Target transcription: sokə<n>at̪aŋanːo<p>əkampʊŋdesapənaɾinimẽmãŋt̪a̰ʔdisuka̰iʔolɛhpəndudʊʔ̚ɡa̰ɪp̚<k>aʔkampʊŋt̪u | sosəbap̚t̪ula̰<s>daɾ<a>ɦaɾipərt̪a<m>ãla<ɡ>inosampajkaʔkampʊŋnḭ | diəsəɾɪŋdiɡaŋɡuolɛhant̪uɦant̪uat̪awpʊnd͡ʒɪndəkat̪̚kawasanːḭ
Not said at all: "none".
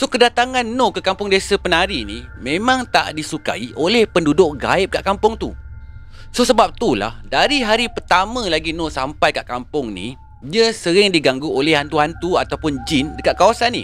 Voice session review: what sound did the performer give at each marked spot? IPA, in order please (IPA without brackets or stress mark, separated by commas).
d, k, k, h, i, m, ɡ